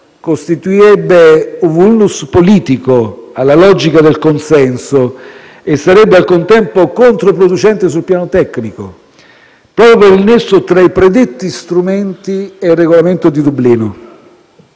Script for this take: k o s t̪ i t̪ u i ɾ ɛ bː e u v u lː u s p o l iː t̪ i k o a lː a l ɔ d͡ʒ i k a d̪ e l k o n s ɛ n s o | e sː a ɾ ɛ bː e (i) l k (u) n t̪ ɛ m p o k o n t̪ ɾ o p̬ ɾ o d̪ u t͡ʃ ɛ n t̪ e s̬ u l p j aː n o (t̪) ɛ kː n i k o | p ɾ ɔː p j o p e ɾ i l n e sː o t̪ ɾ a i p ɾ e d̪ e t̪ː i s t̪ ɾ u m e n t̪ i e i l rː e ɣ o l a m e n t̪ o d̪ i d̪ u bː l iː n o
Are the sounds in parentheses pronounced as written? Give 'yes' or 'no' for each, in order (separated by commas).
no, no, yes